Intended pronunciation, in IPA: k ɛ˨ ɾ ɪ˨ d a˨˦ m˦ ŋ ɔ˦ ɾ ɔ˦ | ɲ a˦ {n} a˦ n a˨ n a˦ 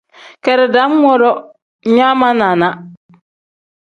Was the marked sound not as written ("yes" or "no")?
yes